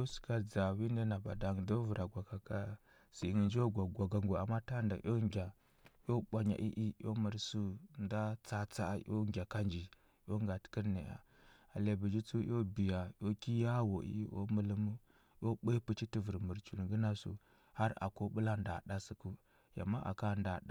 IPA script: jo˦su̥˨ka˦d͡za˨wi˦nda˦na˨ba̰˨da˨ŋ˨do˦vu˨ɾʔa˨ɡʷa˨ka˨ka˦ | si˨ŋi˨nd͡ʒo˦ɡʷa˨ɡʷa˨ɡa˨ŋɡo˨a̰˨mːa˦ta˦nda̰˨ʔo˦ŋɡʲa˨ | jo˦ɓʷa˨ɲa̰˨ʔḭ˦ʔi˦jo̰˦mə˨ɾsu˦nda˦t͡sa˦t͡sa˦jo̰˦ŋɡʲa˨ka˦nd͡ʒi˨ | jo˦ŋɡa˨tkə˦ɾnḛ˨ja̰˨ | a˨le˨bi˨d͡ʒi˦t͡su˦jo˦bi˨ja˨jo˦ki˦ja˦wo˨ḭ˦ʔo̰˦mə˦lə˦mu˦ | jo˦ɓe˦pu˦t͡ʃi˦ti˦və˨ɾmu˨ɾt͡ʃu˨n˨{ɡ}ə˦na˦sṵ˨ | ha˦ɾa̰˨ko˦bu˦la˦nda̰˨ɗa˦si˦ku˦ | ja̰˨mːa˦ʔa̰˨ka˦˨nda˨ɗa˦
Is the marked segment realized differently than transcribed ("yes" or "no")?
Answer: no